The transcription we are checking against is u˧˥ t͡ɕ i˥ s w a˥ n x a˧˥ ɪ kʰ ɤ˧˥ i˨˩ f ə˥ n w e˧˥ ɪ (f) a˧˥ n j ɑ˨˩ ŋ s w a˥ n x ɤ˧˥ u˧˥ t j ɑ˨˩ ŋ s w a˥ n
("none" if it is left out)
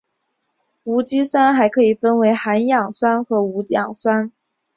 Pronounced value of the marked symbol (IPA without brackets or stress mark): x